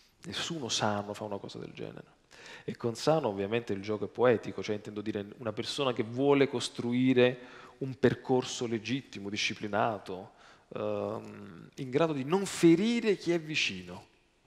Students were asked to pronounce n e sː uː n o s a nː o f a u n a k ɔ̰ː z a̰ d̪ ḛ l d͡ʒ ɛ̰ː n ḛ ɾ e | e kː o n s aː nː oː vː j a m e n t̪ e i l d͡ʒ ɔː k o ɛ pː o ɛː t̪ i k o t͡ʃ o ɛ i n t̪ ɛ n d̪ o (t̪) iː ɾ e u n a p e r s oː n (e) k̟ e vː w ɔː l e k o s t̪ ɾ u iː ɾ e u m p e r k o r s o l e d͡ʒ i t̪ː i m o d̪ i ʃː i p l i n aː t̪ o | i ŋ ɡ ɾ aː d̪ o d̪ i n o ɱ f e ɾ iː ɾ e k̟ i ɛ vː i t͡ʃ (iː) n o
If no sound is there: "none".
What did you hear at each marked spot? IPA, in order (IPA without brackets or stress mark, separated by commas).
d̪, a, iː